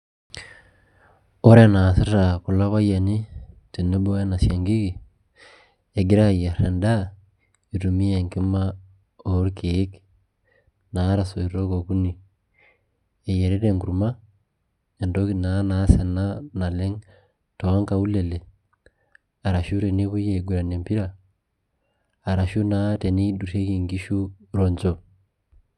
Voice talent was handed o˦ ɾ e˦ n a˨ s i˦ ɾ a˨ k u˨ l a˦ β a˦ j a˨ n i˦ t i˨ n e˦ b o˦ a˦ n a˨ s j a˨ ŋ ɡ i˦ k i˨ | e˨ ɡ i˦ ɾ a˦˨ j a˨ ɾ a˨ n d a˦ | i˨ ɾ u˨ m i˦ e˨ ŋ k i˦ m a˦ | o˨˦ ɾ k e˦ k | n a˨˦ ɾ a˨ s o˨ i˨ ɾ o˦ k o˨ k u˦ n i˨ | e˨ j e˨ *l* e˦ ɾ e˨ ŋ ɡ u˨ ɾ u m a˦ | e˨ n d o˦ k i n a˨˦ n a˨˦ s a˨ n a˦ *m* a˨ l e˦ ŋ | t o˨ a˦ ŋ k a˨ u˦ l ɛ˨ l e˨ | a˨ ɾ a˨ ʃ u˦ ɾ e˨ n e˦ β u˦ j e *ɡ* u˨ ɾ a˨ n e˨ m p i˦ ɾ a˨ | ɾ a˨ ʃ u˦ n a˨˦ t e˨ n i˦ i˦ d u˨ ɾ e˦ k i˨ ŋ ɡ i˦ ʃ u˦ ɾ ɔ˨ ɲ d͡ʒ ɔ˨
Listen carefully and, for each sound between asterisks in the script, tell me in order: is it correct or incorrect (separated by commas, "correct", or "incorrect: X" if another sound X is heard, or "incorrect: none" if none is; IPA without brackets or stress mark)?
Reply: incorrect: ɾ, incorrect: n, correct